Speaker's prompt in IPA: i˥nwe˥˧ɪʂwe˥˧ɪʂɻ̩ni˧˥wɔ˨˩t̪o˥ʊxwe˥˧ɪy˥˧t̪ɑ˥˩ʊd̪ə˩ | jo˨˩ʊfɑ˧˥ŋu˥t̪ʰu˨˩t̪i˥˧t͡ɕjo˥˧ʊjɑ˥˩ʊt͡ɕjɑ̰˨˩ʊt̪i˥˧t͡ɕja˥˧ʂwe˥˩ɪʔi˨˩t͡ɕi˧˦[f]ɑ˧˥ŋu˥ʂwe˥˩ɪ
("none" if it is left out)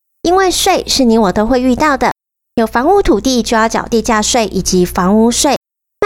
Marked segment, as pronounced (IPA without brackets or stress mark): f